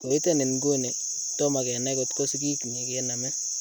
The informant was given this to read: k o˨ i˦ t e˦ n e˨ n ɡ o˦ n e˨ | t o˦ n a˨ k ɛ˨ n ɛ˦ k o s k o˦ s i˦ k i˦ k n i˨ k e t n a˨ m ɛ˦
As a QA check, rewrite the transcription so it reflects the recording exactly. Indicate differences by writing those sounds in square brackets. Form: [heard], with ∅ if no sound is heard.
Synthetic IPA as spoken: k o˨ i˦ t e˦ n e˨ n ɡ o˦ n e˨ | t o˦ [m] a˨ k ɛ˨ n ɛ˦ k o [t] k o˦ s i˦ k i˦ k n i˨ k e [∅] n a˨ m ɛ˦